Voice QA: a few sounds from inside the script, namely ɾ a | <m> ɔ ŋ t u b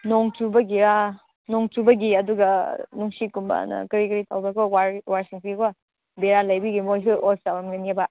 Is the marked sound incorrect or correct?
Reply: incorrect